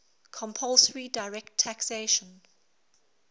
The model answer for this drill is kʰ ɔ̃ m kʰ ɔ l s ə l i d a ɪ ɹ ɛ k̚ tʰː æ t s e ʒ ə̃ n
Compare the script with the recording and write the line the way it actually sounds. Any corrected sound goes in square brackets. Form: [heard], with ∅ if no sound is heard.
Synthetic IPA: kʰ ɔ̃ m [pʰ] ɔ l s ə [ɹ] i d a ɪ ɹ ɛ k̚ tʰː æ [k] s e [ʃ] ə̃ n